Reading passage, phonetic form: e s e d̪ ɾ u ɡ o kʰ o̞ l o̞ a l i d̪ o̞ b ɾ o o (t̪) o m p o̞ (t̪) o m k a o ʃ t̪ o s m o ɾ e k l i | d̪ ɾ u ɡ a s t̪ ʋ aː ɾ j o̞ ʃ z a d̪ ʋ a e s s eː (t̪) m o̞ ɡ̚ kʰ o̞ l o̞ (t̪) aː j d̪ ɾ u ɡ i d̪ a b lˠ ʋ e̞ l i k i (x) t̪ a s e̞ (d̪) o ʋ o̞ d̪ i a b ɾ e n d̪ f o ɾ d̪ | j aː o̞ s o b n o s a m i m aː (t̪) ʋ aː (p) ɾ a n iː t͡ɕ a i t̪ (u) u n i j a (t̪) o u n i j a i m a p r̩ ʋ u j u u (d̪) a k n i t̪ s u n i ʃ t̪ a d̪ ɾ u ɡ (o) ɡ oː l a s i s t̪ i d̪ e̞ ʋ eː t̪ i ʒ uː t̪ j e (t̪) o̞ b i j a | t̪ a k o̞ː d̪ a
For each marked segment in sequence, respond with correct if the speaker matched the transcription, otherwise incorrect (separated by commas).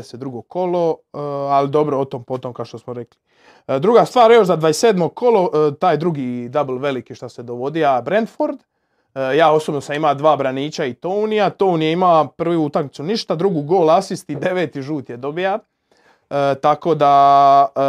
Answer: correct, correct, incorrect, correct, incorrect, correct, incorrect, incorrect, incorrect, correct, incorrect, incorrect, incorrect